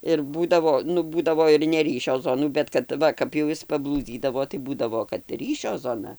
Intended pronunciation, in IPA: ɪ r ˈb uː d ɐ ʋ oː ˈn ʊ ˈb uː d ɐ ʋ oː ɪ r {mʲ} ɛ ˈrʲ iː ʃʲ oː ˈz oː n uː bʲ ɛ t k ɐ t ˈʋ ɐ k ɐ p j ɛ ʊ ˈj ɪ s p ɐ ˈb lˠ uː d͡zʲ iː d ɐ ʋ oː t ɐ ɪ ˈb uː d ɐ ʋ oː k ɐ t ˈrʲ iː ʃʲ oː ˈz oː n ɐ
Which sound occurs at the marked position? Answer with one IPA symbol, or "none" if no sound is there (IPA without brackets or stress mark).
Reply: nʲ